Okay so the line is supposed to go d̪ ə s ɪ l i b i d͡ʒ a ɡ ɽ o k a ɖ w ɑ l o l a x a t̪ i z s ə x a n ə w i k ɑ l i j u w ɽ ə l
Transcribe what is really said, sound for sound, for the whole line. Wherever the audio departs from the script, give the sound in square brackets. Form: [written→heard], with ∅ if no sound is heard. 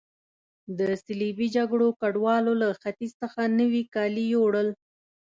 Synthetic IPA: d̪ ə s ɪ l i b i d͡ʒ a ɡ ɽ o k a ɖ w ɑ l o l a x a t̪ i z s ə x a n ə w i k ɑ l i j [u→o] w ɽ ə l